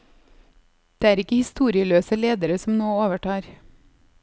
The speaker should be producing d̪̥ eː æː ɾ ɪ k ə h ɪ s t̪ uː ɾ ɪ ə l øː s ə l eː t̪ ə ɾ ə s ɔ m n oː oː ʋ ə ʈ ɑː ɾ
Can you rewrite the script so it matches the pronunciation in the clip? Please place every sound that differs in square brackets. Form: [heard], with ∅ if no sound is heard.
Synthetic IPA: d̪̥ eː æː ɾ ɪ k ə h ɪ s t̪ uː ɾ ɪ ə l øː s ə l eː [d̪] ə ɾ ə s ɔ m n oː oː ʋ ə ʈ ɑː ɾ